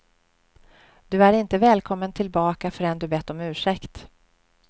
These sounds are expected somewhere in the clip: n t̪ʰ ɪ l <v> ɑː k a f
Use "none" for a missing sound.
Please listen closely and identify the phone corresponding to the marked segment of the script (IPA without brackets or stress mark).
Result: b